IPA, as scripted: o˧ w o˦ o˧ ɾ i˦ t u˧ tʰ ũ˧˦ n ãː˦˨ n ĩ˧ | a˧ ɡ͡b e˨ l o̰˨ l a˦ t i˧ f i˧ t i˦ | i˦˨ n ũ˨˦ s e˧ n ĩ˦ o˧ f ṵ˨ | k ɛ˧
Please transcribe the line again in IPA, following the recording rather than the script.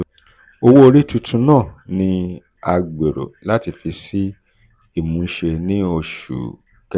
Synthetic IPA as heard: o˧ w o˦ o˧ ɾ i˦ t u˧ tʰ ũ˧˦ n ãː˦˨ n ĩ˧ | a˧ ɡ͡b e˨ ɾ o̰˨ l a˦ t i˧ f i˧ s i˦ | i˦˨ m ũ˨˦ ʃ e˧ n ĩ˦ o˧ ʃ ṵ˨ | k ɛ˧